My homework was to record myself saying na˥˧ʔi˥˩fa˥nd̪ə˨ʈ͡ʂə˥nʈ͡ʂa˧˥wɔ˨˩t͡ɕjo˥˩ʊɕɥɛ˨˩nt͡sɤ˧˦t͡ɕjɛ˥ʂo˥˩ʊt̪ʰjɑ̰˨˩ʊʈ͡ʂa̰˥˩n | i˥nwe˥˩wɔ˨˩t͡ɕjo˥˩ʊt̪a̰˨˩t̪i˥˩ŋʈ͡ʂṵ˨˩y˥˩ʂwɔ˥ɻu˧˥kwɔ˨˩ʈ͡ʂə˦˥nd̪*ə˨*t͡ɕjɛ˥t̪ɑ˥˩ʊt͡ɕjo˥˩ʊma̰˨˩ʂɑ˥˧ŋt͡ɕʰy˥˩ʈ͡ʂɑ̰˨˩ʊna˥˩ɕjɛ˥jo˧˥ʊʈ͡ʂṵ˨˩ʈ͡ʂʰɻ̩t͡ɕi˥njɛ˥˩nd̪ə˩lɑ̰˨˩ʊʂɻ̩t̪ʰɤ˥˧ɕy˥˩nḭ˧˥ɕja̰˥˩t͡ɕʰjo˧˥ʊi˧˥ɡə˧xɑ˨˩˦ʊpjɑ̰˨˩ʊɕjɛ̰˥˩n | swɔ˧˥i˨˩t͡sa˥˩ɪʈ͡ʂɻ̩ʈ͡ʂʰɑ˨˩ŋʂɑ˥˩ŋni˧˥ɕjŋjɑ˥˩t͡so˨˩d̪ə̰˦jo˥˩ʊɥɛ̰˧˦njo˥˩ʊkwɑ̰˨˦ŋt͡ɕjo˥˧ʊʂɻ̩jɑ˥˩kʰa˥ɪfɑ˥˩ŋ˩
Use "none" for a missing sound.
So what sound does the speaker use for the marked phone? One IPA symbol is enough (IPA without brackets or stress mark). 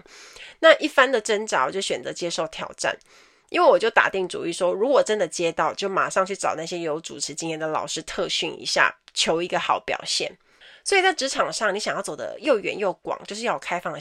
ə˨